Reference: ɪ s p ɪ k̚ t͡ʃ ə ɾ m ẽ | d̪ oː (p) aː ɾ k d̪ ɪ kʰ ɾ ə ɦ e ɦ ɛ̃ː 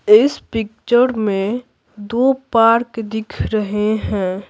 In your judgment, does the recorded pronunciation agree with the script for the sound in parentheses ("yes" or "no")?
yes